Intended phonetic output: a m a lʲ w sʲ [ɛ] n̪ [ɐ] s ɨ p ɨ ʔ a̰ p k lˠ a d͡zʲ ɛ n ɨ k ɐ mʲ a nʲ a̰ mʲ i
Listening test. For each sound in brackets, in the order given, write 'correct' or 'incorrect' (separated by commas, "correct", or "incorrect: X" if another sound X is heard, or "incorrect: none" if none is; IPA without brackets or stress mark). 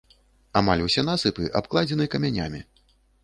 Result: correct, incorrect: a